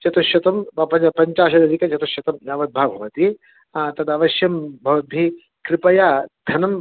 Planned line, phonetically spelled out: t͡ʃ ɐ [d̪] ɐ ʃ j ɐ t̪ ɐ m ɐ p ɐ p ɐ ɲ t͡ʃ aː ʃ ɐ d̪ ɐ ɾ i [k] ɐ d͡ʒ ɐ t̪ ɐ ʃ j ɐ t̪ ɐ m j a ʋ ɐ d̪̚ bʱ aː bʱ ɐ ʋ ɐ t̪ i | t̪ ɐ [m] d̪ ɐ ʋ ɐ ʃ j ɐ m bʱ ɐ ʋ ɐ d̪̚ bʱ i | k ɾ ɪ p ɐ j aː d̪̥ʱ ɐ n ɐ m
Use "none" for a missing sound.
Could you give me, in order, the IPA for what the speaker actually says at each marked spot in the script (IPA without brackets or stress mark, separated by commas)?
t̪, k, none